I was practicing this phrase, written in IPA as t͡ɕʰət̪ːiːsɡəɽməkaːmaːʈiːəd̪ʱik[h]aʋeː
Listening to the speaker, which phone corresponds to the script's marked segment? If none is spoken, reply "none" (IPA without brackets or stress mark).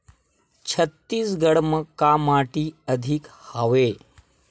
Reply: h